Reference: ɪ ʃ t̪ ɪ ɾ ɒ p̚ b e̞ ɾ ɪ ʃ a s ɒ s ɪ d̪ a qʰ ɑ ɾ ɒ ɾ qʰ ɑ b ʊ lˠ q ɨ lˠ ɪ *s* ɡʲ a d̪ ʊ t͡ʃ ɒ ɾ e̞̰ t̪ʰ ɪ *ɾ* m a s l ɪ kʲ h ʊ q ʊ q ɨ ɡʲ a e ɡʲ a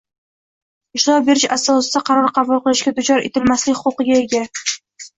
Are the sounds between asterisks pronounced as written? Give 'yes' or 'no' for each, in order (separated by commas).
no, no